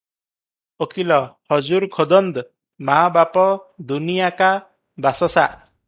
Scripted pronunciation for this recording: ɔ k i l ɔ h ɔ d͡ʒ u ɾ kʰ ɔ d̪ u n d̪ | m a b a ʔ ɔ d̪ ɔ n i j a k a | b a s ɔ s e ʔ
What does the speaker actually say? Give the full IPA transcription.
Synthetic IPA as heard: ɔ k i l ɔ h ɔ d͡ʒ u ɾ kʰ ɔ d̪ ɔ n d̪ | m a b a p ɔ d̪ u n i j a k a | b a s ɔ s a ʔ